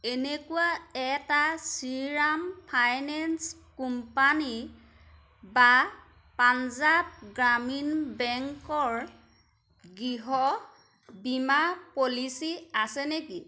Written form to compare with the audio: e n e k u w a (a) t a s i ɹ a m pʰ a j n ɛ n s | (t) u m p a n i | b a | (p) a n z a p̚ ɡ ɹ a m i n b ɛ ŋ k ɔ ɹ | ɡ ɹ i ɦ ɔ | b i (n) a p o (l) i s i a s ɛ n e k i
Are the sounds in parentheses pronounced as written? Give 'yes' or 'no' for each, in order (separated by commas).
no, no, yes, no, yes